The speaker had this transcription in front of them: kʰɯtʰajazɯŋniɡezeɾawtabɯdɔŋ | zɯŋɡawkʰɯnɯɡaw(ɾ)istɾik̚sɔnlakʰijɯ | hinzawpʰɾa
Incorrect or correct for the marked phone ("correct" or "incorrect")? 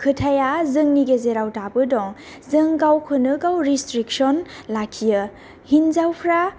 correct